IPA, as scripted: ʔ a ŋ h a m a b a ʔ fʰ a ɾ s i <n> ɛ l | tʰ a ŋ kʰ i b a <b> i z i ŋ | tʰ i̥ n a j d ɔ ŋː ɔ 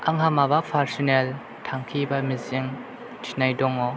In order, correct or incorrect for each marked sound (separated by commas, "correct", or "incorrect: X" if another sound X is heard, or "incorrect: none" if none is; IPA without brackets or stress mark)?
correct, incorrect: m